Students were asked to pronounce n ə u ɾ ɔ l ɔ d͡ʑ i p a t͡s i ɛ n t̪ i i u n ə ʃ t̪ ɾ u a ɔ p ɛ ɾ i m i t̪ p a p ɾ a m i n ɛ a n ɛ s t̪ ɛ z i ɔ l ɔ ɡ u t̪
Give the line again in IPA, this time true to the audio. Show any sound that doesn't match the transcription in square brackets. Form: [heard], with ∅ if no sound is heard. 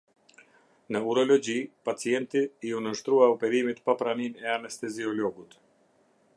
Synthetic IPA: n ə u ɾ ɔ l ɔ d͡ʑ i p a t͡s i ɛ n t̪ i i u n ə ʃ t̪ ɾ u a ɔ p ɛ ɾ i m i t̪ p a p ɾ a [n] i n ɛ a n ɛ s t̪ ɛ z i ɔ l ɔ ɡ u t̪